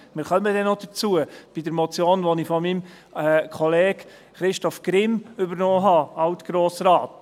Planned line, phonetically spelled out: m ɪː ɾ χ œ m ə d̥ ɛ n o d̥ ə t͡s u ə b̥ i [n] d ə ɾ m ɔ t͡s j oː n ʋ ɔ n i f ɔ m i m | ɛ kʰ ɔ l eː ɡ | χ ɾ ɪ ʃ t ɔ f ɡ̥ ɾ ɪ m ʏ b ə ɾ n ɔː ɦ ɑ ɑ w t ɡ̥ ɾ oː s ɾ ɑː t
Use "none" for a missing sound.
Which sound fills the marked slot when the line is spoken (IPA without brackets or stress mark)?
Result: none